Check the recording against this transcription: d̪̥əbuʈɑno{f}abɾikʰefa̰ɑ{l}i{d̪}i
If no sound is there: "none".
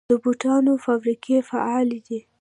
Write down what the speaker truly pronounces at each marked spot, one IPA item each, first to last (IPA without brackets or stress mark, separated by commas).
f, l, d̪